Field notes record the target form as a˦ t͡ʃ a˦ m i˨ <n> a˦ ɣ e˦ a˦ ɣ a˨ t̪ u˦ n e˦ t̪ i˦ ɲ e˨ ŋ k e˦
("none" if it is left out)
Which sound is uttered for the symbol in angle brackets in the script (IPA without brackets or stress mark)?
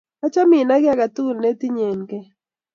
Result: n